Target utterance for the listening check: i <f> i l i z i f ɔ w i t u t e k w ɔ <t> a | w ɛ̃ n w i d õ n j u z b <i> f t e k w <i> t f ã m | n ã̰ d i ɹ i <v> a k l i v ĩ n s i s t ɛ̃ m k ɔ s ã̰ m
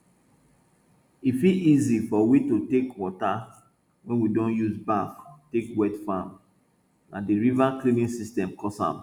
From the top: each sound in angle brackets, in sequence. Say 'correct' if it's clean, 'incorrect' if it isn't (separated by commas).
correct, correct, incorrect, incorrect, correct